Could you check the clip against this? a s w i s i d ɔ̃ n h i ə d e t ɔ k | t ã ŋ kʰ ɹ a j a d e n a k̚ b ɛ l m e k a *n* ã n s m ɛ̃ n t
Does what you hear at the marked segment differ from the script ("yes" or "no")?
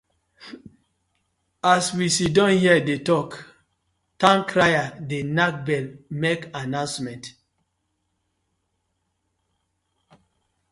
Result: no